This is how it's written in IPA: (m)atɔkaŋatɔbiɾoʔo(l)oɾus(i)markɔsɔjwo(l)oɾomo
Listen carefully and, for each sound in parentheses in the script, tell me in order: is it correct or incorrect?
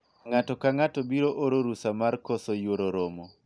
incorrect: ŋ, incorrect: ɾ, incorrect: a, incorrect: ɾ

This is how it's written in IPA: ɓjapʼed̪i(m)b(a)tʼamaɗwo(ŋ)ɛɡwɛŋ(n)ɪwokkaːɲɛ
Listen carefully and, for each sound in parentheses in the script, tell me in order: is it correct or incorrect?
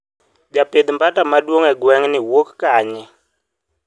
correct, correct, correct, correct

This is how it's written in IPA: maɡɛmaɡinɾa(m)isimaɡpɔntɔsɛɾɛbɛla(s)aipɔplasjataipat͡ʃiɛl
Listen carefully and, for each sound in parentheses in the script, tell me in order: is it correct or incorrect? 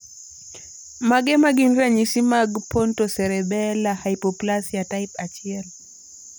incorrect: ɲ, incorrect: h

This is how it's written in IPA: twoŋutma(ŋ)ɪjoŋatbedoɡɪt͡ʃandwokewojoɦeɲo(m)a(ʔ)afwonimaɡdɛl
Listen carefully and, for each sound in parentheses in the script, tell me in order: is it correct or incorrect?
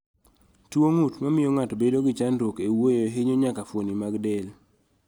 incorrect: m, incorrect: ɲ, incorrect: k

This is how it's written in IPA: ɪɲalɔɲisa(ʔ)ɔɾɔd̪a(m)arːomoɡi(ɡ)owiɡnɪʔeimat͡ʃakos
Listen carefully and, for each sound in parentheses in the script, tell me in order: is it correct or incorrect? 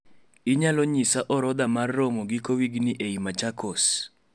correct, correct, incorrect: k

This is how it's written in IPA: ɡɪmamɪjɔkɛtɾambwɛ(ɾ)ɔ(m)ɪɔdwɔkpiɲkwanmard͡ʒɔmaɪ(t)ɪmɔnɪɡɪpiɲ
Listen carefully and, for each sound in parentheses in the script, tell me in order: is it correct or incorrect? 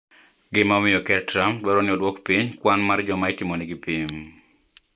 correct, incorrect: n, correct

